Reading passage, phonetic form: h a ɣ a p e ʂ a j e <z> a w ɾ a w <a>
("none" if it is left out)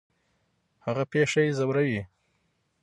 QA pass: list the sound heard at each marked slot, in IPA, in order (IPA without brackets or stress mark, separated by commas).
z, i